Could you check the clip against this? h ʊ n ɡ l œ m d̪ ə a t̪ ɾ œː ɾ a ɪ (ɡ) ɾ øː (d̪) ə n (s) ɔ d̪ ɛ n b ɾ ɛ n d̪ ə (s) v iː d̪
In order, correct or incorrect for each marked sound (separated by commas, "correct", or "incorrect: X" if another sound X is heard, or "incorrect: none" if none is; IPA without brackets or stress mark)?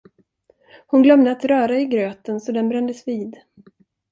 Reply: correct, incorrect: t̪, correct, correct